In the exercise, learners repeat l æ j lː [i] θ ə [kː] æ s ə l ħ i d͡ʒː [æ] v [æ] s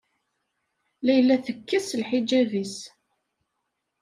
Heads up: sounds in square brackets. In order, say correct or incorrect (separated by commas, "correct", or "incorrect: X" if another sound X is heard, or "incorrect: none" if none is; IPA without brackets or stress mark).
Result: incorrect: æ, correct, correct, incorrect: i